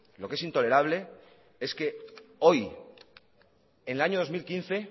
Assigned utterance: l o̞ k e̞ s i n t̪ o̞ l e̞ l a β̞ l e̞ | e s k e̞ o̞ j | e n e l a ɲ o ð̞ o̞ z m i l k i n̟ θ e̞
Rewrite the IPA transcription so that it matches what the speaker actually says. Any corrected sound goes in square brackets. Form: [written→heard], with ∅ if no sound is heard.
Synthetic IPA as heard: l o̞ k e̞ s i n t̪ o̞ l e̞ [l→ɾ] a β̞ l e̞ | e s k e̞ o̞ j | e n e l a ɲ o ð̞ o̞ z m i l k i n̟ θ e̞

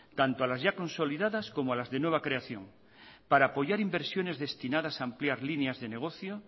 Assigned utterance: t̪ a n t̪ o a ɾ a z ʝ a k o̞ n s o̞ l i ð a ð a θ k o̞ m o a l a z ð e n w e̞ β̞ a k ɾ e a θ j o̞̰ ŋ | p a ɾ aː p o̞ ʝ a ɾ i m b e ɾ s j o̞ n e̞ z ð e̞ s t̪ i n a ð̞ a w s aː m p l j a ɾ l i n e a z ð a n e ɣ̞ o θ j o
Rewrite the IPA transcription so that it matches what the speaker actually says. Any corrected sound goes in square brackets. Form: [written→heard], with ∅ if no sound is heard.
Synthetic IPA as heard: t̪ a n t̪ o a [ɾ→l] a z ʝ a k o̞ n s o̞ l i ð a ð a [θ→s] k o̞ m o a l a z ð e n w e̞ β̞ a k ɾ e a θ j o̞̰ ŋ | p a ɾ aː p o̞ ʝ a ɾ i m b e ɾ s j o̞ n e̞ z ð e̞ s t̪ i n a ð̞ a [w→∅] s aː m p l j a ɾ l i n e a z ð [a→e] n e ɣ̞ o θ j o

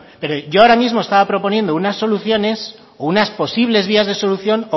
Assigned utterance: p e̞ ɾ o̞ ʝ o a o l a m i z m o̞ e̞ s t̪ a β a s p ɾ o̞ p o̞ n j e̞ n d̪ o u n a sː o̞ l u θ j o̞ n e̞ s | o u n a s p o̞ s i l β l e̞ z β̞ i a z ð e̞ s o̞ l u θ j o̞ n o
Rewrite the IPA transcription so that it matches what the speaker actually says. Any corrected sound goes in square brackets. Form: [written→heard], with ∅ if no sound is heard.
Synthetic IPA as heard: p e̞ ɾ o̞ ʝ o a o [l→ɾ] a m i z m o̞ e̞ s t̪ a β a [s→∅] p ɾ o̞ p o̞ n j e̞ n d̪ o u n a sː o̞ l u θ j o̞ n e̞ s | o u n a s p o̞ s i [l→∅] β l e̞ z β̞ i a z ð e̞ s o̞ l u θ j o̞ n o

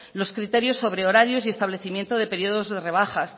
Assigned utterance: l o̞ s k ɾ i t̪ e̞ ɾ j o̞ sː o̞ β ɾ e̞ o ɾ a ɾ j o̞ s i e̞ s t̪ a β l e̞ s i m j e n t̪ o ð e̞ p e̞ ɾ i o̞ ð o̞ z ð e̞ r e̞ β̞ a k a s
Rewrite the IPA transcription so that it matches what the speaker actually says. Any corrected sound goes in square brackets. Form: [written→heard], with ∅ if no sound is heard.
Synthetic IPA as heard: l o̞ s k ɾ i t̪ e̞ ɾ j o̞ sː o̞ β ɾ e̞ o ɾ a ɾ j o̞ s i e̞ s t̪ a β l e̞ [s→θ] i m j e n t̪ o ð e̞ p e̞ ɾ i o̞ ð o̞ z ð e̞ r e̞ β̞ a [k→x] a s

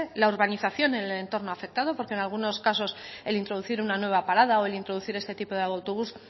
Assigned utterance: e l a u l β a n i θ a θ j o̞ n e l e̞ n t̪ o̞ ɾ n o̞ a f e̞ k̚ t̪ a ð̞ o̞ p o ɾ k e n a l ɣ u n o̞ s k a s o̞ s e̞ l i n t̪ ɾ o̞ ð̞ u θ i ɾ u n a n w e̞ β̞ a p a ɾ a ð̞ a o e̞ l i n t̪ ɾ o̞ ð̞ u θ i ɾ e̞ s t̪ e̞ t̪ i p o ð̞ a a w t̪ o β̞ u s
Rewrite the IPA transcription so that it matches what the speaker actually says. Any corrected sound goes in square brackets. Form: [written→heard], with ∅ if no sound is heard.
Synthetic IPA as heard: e l a u [l→ɾ] β a n i θ a θ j o̞ n e l e̞ n t̪ o̞ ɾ n o̞ a f e̞ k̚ t̪ a ð̞ o̞ p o ɾ k e n a l ɣ u n o̞ s k a s o̞ s e̞ l i n t̪ ɾ o̞ ð̞ u θ i ɾ u n a n w e̞ β̞ a p a ɾ a ð̞ a o e̞ l i n t̪ ɾ o̞ ð̞ u θ i ɾ e̞ s t̪ e̞ t̪ i p o ð̞ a a w t̪ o β̞ u s

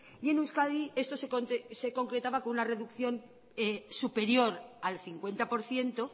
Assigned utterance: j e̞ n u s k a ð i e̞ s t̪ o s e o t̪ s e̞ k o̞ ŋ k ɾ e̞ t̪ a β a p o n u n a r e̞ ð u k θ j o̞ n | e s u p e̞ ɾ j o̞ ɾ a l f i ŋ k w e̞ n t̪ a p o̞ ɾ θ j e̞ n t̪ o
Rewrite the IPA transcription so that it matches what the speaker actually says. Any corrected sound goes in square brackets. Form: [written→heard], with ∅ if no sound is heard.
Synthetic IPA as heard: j e̞ n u s k a ð i e̞ s t̪ o s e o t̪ s e̞ k o̞ ŋ k ɾ e̞ t̪ a β a [p→k] o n u n a r e̞ ð u k θ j o̞ n | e s u p e̞ ɾ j o̞ ɾ a l [f→θ] i ŋ k w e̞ n t̪ a p o̞ ɾ θ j e̞ n t̪ o

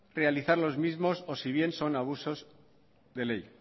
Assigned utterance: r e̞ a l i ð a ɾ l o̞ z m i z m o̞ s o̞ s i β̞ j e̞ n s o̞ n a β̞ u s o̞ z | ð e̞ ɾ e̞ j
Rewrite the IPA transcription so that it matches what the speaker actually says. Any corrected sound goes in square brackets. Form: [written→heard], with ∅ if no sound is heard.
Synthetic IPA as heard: r e̞ a l i [ð→θ] a ɾ l o̞ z m i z m o̞ s o̞ s i β̞ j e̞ n s o̞ n a β̞ u s o̞ z | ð e̞ [ɾ→l] e̞ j

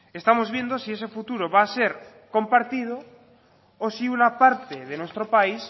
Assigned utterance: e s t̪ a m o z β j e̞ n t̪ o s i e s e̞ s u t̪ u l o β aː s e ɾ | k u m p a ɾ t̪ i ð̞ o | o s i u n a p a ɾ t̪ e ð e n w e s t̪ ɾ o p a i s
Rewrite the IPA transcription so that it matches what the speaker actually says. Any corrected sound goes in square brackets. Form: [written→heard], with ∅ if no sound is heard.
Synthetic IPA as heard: e s t̪ a m o z β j e̞ n [t̪→d̪] o s i e s e̞ [s→f] u t̪ u [l→ɾ] o β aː s e ɾ | k [u→o] m p a ɾ t̪ i ð̞ o | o s i u n a p a ɾ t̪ e ð e n w e s t̪ ɾ o p a i s

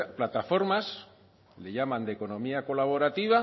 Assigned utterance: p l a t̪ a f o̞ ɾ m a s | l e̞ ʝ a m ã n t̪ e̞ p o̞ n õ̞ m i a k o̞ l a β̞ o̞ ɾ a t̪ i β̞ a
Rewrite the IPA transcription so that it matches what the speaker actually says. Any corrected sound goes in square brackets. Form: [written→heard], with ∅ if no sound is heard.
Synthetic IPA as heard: p l a t̪ a f o̞ ɾ m a s | l e̞ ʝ a m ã n [t̪→d̪] e̞ [p→k] o̞ n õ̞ m i a k o̞ l a β̞ o̞ ɾ a t̪ i β̞ a

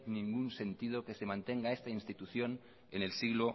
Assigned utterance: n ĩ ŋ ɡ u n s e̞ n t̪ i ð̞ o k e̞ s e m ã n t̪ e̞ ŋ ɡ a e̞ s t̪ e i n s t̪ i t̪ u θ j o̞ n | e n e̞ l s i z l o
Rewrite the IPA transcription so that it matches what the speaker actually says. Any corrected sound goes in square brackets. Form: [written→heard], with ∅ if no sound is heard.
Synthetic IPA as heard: n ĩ ŋ ɡ u n s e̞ n t̪ i ð̞ o k e̞ s e m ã n t̪ e̞ ŋ ɡ a e̞ s t̪ [e→a] i n s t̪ i t̪ u θ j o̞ n | e n e̞ l s i [z→ɣ] l o

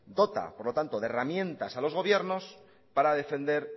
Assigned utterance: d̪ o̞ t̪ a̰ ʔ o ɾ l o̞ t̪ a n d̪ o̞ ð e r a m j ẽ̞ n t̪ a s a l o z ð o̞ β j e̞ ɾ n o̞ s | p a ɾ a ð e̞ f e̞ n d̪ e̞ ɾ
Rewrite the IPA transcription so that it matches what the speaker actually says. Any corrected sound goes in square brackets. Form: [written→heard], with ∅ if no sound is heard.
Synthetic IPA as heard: d̪ o̞ t̪ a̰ [ʔ→p] o ɾ l o̞ t̪ a n [d̪→t̪] o̞ ð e r a m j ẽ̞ n t̪ a s a l o z [ð→ɣ] o̞ β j e̞ ɾ n o̞ s | p a ɾ a ð e̞ f e̞ n d̪ e̞ ɾ

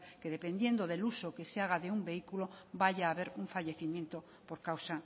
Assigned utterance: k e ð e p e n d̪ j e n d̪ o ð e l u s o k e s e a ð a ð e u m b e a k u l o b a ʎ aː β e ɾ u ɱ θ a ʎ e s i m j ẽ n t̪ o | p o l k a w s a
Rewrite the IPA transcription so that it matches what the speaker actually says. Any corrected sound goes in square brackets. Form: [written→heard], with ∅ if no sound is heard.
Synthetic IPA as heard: k e ð e p e n d̪ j e n d̪ o ð e l u s o k e s e a [ð→ɣ] a ð e u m b e [a→i] k u l o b a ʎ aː β e ɾ u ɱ [θ→f] a ʎ e [s→θ] i m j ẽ n t̪ o | p o [l→ɾ] k a w s a

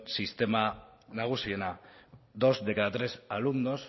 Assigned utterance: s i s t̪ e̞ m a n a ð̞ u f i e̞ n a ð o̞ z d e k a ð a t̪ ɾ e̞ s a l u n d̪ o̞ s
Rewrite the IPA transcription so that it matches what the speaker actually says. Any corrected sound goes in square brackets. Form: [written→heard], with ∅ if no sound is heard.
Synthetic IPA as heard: s i s t̪ e̞ m a n a [ð̞→ɣ̞] u [f→s] i e̞ n a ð o̞ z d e k a ð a t̪ ɾ e̞ s a l u n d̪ o̞ s

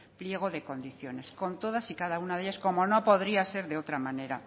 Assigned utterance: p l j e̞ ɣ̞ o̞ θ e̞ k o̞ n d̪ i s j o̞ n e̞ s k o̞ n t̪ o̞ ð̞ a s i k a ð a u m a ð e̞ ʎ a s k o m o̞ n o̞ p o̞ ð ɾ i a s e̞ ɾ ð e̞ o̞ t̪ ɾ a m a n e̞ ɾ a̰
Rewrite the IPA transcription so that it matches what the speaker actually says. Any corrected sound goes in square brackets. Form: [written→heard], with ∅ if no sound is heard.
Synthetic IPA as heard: p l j e̞ ɣ̞ o̞ [θ→ð] e̞ k o̞ n d̪ i [s→θ] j o̞ n e̞ s k o̞ n t̪ o̞ ð̞ a s i k a ð a u [m→n] a ð e̞ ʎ a s k o m o̞ n o̞ p o̞ ð ɾ i a s e̞ ɾ ð e̞ o̞ t̪ ɾ a m a n e̞ ɾ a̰

